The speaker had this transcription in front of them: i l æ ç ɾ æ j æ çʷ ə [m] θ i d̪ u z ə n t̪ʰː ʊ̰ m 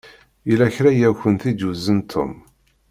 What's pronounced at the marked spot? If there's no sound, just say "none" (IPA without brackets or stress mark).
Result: n